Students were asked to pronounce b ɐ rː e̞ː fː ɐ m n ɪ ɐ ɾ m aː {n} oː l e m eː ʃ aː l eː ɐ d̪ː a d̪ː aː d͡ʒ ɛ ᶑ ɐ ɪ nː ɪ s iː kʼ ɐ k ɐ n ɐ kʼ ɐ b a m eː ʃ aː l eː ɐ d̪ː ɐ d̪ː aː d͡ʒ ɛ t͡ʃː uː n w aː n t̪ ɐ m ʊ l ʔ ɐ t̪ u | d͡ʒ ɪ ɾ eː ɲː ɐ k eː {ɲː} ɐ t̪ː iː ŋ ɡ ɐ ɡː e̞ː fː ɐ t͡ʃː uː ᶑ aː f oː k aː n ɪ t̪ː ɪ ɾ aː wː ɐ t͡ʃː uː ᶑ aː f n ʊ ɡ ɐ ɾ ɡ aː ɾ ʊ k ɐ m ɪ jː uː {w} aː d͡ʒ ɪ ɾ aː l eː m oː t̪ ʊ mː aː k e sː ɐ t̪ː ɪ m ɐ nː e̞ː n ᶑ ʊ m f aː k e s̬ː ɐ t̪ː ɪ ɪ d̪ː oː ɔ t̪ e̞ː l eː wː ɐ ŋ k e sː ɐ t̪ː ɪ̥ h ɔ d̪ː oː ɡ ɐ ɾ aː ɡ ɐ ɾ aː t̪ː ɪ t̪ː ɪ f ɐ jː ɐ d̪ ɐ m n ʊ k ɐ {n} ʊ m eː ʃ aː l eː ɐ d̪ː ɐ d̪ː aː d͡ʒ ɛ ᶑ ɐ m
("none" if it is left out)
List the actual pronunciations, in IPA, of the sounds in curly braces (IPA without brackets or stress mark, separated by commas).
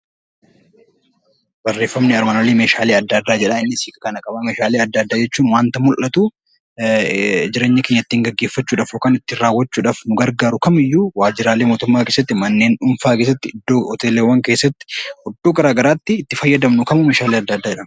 n, ɲː, w, m